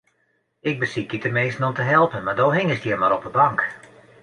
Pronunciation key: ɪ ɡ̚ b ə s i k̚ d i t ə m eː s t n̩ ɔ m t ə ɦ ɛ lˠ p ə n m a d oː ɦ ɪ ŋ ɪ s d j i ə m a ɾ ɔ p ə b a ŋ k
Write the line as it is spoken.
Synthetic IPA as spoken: ɪ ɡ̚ b ə s i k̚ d i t ə m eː s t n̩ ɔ m t ə ɦ ɛ lˠ p ə n m a d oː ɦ ɪ ŋ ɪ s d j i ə m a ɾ ɔ p ə b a ŋ k